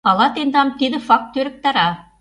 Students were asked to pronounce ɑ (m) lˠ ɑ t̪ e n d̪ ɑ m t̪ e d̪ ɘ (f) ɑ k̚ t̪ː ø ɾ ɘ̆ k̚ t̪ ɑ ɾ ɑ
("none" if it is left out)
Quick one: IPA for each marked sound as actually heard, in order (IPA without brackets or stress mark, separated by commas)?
none, f